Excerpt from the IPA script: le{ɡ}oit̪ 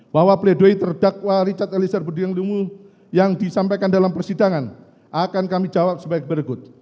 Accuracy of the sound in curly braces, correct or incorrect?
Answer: incorrect